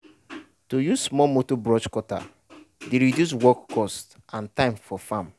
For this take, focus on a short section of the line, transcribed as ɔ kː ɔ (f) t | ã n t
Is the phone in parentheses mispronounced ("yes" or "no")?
yes